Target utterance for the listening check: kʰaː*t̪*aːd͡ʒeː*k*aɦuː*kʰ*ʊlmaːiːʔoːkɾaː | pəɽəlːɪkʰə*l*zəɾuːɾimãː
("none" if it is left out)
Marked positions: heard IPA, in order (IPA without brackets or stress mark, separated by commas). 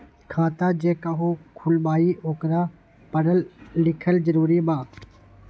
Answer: t̪, k, kʰ, l